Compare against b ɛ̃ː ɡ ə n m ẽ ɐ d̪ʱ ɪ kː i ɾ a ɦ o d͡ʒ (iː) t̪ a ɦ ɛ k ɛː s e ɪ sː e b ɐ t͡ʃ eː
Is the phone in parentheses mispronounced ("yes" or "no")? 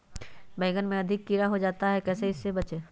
yes